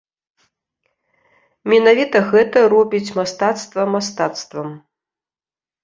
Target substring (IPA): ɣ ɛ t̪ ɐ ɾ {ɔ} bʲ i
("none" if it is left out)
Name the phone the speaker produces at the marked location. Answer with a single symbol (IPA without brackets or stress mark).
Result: ɔ